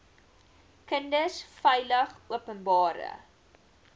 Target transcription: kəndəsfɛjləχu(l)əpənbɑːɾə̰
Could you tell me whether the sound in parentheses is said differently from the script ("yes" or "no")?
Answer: yes